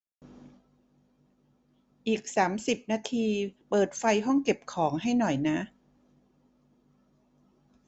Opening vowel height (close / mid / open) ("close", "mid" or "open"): close